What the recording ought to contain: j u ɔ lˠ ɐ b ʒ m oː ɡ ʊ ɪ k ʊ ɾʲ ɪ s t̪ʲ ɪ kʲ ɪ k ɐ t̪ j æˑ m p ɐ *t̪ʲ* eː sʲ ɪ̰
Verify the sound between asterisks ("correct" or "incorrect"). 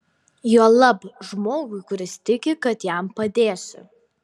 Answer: incorrect